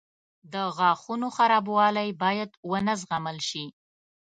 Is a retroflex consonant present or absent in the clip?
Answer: absent